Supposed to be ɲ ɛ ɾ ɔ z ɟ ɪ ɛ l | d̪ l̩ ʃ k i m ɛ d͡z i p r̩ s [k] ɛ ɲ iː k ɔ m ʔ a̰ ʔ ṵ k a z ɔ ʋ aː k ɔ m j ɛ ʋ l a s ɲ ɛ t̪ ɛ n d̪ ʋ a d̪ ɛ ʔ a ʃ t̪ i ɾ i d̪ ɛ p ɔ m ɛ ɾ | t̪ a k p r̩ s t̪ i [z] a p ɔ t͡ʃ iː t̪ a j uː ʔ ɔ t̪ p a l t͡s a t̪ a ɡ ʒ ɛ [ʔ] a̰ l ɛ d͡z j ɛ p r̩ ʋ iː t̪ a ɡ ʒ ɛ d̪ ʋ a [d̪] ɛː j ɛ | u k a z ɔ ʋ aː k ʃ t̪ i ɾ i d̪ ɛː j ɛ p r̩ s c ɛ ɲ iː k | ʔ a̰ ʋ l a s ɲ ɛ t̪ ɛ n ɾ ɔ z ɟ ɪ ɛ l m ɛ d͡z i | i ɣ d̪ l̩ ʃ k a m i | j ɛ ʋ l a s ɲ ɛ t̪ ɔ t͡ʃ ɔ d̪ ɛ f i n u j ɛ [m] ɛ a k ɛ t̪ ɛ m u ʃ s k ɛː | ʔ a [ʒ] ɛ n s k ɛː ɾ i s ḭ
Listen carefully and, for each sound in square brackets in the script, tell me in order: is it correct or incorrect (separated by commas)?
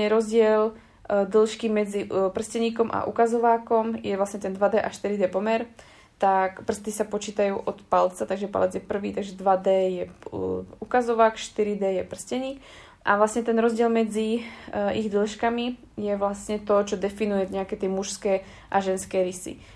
incorrect, incorrect, incorrect, correct, incorrect, correct